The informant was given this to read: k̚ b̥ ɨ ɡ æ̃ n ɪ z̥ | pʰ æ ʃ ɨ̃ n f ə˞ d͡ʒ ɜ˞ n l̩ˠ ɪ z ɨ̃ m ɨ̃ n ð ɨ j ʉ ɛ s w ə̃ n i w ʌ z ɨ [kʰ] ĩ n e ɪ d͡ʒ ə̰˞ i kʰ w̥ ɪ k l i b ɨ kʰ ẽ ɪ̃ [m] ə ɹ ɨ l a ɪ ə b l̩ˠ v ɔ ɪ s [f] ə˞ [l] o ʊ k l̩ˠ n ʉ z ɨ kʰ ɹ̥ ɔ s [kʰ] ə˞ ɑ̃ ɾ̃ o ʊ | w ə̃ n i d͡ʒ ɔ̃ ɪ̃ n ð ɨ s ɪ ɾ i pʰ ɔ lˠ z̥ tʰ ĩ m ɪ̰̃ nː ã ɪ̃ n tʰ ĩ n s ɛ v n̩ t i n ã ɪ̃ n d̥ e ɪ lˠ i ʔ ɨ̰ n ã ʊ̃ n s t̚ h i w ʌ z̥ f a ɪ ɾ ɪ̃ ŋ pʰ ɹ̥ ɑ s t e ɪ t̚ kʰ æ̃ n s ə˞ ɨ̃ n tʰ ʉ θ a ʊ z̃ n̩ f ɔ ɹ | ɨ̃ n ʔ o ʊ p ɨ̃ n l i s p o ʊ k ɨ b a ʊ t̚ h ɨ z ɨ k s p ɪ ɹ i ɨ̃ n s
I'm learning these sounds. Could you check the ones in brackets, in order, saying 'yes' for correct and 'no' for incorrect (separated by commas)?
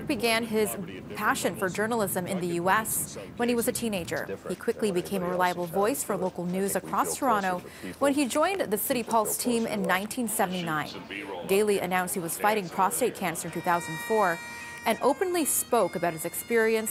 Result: no, yes, yes, yes, no